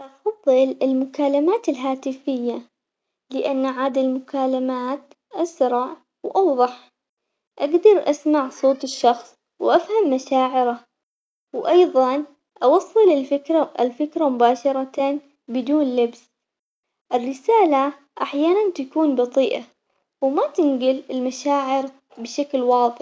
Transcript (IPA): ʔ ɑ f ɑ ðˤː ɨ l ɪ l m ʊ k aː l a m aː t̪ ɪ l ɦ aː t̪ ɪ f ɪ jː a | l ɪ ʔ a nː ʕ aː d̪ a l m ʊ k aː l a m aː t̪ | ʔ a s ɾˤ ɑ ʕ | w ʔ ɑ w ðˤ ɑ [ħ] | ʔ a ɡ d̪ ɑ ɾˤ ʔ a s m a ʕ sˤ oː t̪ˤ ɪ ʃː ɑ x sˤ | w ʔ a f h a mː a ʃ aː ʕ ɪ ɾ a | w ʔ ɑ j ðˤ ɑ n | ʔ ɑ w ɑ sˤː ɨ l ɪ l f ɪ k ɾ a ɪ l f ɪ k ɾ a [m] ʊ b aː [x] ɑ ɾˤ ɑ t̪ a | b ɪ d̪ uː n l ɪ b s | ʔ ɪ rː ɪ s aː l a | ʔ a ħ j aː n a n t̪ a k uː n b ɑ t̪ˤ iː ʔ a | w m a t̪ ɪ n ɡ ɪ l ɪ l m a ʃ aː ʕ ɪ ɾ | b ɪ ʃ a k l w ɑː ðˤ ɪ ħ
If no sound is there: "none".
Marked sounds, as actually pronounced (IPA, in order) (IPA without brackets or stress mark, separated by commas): ħ, m, ʃ